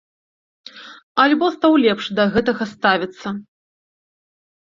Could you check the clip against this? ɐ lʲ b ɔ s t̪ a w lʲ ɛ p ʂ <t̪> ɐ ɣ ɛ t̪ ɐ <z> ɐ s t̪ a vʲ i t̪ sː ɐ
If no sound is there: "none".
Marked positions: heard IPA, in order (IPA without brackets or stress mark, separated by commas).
d̪, ɣ